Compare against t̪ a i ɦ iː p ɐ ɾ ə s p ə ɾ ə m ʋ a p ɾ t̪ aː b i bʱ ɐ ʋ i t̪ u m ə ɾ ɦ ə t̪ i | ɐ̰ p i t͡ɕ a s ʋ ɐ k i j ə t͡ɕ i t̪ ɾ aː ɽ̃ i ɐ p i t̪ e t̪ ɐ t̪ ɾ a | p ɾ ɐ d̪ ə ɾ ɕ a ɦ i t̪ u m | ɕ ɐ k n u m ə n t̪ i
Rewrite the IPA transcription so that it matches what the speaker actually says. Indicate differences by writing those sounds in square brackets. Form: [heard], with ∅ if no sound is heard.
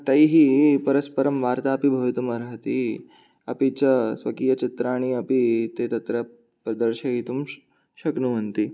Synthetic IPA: t̪ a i ɦ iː p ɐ ɾ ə s p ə ɾ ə m ʋ a [∅] ɾ t̪ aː [p] i bʱ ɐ ʋ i t̪ u m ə ɾ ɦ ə t̪ i | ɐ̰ p i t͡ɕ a s ʋ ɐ k i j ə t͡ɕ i t̪ ɾ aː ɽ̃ i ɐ p i t̪ e t̪ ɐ t̪ ɾ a | p ɾ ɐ d̪ ə ɾ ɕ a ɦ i t̪ u m | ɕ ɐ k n u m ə n t̪ i